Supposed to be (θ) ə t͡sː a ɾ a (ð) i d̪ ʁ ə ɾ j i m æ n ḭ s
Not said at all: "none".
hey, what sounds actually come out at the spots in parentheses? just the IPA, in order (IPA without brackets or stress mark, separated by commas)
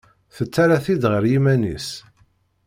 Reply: θ, θ